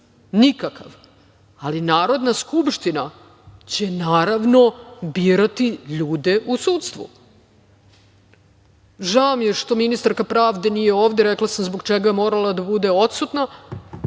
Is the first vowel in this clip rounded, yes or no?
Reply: no